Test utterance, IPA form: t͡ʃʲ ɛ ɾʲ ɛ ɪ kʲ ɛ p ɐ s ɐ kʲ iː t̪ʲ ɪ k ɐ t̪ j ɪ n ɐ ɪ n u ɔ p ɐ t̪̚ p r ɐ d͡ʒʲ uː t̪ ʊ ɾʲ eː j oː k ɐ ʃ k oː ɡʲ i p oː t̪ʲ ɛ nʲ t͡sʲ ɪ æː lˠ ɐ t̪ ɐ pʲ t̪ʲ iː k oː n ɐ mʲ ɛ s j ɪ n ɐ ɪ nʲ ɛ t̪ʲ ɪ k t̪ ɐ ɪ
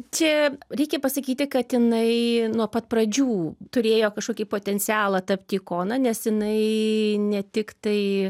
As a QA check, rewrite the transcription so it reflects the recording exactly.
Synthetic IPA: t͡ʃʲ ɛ ɾʲ ɛ ɪ kʲ ɛ p ɐ s ɐ kʲ iː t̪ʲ ɪ k ɐ t̪ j ɪ n ɐ ɪ n u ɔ p ɐ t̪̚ p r ɐ d͡ʒʲ uː t̪ ʊ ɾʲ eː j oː k ɐ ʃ k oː kʲ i p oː t̪ʲ ɛ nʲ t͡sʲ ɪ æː lˠ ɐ t̪ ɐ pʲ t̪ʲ iː k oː n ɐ nʲ ɛ s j ɪ n ɐ ɪ nʲ ɛ t̪ʲ ɪ k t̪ ɐ ɪ